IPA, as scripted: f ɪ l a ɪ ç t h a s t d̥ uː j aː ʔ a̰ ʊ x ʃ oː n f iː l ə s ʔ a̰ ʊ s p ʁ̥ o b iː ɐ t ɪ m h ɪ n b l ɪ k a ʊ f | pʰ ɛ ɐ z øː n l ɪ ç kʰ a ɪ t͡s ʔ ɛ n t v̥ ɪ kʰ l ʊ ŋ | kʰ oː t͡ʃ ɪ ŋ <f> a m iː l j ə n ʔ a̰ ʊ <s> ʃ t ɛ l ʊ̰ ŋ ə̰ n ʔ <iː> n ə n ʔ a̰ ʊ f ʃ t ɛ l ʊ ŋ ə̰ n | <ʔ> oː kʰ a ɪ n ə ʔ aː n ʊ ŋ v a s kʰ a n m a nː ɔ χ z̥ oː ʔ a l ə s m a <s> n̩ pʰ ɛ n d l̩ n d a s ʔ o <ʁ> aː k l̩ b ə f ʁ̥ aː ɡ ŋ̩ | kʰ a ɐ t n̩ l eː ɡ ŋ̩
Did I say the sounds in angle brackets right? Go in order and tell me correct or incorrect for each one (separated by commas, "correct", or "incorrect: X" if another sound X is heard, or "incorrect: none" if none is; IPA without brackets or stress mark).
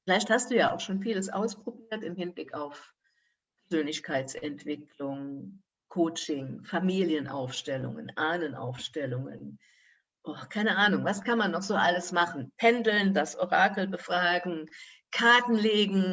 correct, incorrect: f, incorrect: aː, correct, incorrect: χ, correct